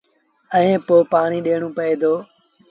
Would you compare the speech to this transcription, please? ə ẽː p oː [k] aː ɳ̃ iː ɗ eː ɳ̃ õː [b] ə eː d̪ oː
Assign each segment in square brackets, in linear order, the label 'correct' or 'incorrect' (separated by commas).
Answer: incorrect, incorrect